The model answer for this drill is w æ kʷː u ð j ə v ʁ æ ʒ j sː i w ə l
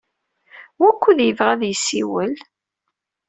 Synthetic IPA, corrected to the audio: w æ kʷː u ð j ə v ʁ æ ð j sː i w ə l